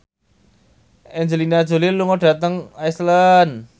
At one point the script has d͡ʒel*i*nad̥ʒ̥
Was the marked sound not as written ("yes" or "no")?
no